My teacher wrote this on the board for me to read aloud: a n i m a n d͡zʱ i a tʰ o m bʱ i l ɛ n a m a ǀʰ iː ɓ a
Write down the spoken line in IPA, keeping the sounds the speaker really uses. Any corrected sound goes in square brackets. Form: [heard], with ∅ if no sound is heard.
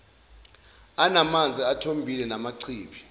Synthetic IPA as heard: a n [a] m a n d͡zʱ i a tʰ o m bʱ i l ɛ n a m a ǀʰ iː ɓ [i]